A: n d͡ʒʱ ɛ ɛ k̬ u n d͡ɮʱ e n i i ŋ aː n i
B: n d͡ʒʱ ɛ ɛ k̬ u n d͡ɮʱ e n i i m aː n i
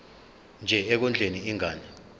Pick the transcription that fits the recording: A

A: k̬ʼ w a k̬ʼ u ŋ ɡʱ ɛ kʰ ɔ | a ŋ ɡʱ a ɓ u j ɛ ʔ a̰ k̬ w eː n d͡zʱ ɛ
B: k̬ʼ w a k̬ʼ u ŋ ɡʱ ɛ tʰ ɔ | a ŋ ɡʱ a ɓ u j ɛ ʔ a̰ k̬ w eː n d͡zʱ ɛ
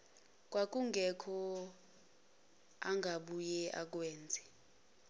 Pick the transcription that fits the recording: A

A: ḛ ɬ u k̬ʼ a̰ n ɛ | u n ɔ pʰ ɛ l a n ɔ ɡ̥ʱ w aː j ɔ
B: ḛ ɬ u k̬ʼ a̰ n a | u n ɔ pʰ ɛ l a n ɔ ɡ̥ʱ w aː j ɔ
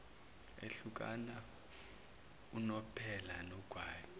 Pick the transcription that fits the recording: B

